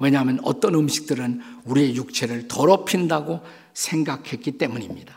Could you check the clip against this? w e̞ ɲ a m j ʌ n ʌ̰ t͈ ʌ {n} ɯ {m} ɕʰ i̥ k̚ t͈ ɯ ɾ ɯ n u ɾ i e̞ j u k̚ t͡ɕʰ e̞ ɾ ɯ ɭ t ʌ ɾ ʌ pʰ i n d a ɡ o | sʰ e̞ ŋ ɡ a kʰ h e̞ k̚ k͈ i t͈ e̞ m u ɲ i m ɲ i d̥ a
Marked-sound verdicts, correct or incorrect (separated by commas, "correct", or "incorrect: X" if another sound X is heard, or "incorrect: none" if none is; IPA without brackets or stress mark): correct, correct